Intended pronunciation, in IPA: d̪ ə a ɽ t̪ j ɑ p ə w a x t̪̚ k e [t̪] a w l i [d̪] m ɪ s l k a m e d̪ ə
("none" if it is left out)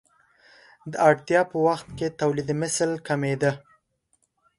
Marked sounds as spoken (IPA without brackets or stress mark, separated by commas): t̪, d̪